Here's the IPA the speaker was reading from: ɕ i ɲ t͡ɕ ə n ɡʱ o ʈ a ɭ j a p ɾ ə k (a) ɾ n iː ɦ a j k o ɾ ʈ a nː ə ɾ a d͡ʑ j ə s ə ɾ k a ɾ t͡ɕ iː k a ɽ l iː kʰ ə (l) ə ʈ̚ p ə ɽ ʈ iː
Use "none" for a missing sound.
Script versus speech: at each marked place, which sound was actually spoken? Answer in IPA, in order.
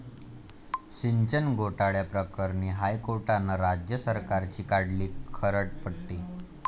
ə, ɾ

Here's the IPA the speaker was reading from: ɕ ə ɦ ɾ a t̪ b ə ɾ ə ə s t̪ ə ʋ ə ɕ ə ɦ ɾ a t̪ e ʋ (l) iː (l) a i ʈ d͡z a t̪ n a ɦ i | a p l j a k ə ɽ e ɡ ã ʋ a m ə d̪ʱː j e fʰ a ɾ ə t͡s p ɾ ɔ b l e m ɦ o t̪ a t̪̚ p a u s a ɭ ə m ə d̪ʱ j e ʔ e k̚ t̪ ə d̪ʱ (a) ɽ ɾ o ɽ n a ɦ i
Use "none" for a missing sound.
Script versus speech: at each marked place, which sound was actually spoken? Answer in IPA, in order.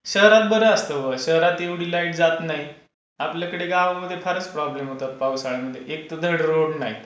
ɽ, l, ə

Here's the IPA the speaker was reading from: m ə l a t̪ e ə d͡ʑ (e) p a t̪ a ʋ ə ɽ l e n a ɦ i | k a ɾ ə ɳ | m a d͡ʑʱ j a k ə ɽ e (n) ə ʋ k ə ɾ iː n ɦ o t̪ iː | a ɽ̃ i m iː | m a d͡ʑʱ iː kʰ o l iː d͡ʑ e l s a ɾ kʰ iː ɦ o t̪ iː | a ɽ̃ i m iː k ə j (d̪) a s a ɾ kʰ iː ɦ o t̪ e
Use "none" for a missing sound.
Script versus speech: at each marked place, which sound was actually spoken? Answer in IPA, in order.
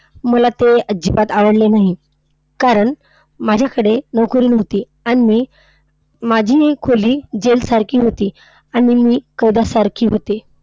i, n, d̪

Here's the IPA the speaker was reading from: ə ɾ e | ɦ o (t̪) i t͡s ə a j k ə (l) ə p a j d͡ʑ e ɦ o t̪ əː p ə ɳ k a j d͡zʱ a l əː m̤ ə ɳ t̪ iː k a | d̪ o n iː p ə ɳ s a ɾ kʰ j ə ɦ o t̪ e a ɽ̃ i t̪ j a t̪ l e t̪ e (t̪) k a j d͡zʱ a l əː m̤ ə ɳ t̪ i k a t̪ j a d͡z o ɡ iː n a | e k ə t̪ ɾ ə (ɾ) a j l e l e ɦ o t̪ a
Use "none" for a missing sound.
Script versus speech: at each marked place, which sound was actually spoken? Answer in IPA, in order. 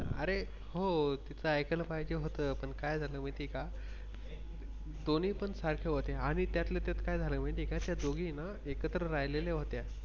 t̪, l, t̪, ɾ

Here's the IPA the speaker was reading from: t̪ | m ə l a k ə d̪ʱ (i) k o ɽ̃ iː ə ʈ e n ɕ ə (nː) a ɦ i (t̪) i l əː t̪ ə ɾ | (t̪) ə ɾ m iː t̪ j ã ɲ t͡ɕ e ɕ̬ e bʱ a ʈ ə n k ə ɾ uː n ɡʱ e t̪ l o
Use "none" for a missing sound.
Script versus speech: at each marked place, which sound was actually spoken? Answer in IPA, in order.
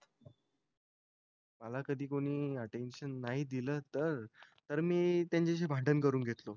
iː, nː, d̪, t̪

